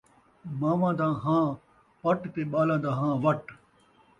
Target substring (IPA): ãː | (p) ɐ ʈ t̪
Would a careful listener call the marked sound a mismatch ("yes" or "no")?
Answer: no